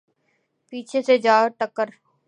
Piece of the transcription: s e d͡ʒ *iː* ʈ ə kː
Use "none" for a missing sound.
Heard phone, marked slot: aː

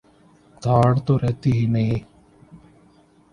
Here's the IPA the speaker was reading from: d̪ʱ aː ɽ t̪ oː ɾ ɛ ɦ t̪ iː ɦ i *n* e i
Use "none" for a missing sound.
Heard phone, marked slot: n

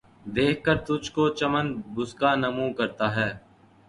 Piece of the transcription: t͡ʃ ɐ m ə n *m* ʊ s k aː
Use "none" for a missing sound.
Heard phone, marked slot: b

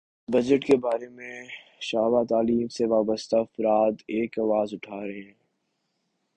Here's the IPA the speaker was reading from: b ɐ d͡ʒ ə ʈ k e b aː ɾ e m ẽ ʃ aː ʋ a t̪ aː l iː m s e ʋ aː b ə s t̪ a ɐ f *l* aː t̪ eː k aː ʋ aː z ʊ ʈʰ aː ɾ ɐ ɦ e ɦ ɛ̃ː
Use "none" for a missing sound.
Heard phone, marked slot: ɾ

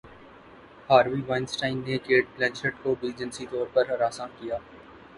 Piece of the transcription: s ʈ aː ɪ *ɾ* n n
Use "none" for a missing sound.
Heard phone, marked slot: none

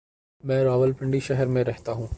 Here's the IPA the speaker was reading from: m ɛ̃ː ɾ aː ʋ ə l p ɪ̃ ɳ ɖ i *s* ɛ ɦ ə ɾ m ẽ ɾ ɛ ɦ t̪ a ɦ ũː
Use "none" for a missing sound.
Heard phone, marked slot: ʃ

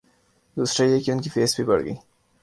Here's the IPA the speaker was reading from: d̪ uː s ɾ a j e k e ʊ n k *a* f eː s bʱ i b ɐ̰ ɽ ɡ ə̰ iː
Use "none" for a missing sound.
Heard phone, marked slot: i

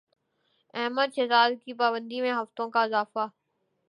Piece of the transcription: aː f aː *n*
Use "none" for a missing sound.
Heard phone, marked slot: none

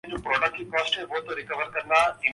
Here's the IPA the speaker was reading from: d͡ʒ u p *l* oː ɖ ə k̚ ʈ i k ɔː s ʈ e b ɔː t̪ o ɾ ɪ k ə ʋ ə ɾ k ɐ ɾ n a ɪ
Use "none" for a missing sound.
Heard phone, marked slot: ɾ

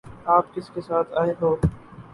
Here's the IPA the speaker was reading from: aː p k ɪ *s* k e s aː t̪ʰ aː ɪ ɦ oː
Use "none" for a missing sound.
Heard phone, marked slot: s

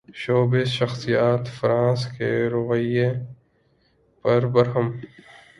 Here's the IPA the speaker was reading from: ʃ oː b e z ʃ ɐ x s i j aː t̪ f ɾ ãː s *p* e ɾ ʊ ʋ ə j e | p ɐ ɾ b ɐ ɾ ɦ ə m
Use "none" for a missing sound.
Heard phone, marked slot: k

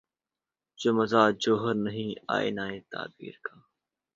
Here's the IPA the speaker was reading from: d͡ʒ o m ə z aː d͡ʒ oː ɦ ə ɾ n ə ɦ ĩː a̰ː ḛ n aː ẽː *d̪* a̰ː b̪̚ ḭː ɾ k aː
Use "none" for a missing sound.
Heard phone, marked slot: t̪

